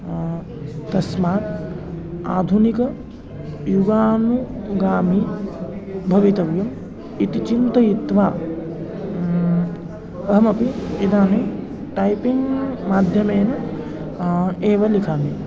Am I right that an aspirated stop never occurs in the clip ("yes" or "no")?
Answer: yes